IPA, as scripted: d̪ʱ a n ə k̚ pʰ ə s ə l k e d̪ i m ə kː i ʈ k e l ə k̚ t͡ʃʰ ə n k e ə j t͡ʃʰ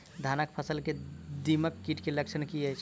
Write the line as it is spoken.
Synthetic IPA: d̪ʱ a n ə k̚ pʰ ə s ə l k e d̪ i m ə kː i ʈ k e l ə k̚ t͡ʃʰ ə n k i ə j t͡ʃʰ